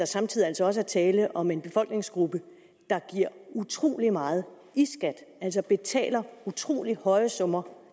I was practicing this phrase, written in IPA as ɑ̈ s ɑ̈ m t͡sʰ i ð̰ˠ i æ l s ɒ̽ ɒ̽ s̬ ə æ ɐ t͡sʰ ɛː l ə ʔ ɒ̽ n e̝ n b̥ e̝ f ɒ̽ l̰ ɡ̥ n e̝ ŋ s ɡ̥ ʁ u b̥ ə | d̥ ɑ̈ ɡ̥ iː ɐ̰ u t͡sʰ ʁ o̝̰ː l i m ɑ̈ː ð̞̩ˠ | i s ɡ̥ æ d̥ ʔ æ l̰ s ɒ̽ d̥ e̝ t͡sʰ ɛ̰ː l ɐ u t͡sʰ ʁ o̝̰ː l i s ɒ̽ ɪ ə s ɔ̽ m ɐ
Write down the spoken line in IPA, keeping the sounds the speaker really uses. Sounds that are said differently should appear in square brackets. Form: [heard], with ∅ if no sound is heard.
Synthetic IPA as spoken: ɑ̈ s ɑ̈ m t͡sʰ i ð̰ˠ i æ l s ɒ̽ ɒ̽ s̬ ə æ ɐ t͡sʰ ɛː l ə ʔ ɒ̽ [m] e̝ n b̥ e̝ f ɒ̽ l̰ ɡ̥ n e̝ ŋ s ɡ̥ ʁ u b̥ ə | d̥ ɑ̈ ɡ̥ [i] ɐ̰ u t͡sʰ ʁ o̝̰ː l i m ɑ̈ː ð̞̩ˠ | i s ɡ̥ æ d̥ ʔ æ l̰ s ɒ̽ [b̥] e̝ t͡sʰ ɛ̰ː l ɐ u t͡sʰ ʁ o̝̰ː l i [h] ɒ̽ ɪ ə s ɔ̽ m ɐ